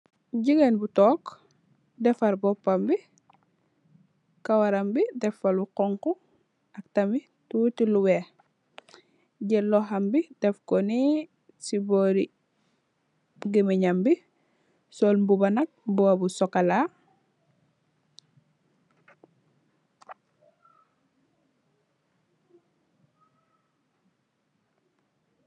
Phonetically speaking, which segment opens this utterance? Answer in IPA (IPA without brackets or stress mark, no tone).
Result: ɟ